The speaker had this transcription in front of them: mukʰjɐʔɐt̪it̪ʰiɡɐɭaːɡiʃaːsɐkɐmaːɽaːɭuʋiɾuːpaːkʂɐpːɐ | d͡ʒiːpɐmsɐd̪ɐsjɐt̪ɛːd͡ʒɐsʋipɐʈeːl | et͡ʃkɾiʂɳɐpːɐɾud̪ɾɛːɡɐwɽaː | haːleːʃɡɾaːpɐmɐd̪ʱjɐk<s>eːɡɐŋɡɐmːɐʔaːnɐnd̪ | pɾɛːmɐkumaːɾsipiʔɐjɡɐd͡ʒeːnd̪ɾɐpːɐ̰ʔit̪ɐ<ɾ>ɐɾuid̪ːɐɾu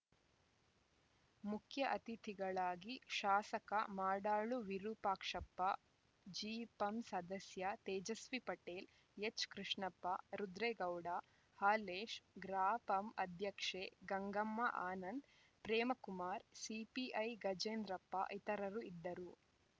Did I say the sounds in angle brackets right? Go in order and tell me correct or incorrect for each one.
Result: incorrect, correct

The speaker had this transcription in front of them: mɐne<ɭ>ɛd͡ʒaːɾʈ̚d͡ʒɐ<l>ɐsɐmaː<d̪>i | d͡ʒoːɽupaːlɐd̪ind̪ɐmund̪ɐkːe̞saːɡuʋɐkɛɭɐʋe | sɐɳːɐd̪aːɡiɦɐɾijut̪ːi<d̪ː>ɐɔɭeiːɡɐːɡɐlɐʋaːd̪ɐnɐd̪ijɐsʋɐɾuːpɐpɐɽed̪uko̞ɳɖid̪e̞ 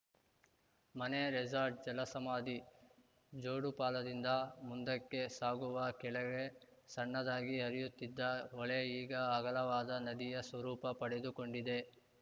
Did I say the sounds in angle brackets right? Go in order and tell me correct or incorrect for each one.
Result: incorrect, correct, correct, correct

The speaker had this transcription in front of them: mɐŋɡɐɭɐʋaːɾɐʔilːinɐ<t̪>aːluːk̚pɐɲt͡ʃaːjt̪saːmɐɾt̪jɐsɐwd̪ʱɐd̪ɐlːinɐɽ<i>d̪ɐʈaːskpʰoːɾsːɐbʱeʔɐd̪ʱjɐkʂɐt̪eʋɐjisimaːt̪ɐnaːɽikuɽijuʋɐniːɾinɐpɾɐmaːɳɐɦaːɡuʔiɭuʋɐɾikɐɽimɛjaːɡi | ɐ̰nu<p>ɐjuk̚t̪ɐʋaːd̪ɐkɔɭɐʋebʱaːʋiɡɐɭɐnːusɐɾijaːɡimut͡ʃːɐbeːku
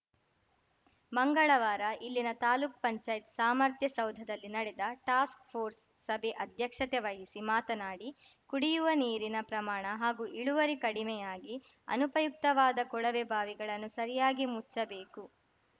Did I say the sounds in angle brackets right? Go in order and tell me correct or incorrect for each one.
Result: correct, incorrect, correct

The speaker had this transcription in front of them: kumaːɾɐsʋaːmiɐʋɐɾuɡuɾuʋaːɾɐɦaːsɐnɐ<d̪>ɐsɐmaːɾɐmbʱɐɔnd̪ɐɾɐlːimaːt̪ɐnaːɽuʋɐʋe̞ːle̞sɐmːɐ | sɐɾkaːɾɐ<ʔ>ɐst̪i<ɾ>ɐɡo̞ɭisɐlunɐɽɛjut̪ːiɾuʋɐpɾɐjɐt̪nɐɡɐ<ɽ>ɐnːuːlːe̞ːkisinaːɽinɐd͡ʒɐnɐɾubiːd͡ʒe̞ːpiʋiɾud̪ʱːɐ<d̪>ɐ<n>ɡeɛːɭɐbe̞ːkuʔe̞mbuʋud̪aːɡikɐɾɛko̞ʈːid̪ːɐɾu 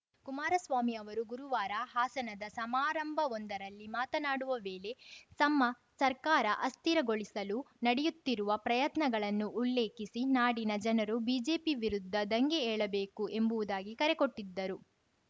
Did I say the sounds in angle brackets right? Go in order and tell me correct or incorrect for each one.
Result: correct, correct, correct, incorrect, correct, incorrect

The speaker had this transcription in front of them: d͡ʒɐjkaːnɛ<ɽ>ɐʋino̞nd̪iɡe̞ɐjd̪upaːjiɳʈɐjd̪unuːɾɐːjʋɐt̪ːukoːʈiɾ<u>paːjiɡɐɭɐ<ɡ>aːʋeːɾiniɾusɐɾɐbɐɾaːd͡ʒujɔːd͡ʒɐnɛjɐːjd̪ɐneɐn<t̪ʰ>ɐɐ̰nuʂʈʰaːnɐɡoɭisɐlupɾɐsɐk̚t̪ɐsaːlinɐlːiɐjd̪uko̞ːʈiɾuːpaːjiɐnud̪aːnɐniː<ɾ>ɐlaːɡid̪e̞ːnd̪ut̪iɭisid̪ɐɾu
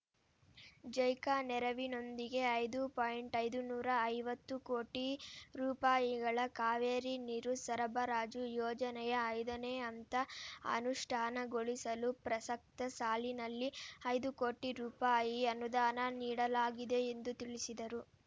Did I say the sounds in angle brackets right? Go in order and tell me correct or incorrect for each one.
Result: incorrect, incorrect, incorrect, incorrect, incorrect

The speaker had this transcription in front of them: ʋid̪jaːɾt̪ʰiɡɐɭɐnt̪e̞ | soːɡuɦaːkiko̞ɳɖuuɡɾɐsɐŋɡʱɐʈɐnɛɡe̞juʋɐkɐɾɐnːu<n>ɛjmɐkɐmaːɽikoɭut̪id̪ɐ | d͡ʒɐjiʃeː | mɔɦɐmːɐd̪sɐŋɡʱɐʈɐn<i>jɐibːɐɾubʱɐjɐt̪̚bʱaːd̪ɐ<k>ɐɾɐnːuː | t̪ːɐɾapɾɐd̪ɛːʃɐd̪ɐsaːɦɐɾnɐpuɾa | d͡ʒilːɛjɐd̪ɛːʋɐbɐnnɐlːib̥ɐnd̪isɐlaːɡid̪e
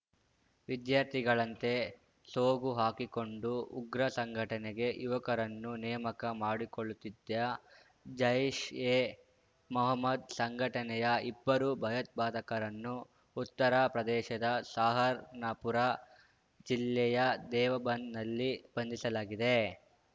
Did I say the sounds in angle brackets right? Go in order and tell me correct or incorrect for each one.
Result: correct, incorrect, correct

